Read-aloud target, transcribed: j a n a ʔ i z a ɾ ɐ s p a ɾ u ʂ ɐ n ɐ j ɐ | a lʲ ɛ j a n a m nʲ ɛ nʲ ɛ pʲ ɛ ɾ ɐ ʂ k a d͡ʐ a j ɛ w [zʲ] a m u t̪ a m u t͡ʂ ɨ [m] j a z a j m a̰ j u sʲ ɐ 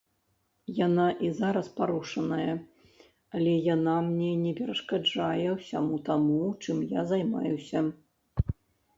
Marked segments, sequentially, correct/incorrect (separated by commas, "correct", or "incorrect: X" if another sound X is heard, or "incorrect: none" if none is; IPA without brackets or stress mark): incorrect: sʲ, correct